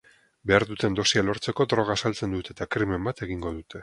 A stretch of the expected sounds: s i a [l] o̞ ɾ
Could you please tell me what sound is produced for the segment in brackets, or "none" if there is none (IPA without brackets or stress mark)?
l